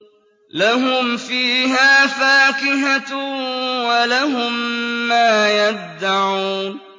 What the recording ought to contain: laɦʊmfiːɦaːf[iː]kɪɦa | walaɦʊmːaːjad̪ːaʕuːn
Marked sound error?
yes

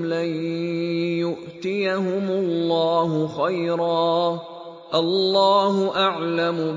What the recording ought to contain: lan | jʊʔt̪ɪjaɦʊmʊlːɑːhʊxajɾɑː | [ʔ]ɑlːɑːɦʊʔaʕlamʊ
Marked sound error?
no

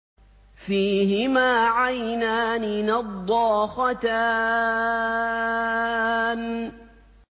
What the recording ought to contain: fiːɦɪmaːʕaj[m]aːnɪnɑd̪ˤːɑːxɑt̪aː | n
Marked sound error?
yes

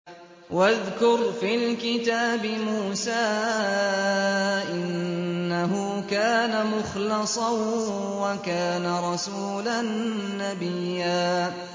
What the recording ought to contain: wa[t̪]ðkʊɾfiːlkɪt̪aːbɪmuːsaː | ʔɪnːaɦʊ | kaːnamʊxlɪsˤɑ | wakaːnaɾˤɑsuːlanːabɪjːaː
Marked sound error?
yes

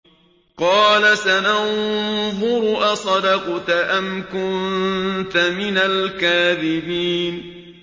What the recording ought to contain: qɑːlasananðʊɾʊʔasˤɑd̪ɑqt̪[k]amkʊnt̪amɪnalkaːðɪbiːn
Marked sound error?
yes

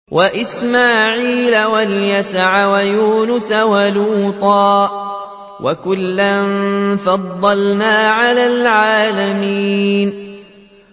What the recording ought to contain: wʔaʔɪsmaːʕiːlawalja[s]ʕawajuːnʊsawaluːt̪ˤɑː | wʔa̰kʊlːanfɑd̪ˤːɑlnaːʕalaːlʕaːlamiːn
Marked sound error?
no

